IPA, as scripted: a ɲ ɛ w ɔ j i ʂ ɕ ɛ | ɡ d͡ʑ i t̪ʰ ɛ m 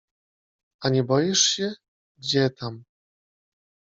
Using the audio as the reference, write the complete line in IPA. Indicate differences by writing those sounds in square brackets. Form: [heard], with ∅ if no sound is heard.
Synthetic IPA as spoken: a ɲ ɛ [b] ɔ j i ʂ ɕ ɛ | ɡ d͡ʑ [ɛ] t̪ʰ [a] m